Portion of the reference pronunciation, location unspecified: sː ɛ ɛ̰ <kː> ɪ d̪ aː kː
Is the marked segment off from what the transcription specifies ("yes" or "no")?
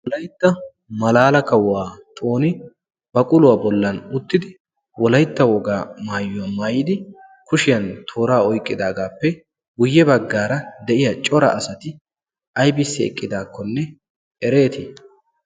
yes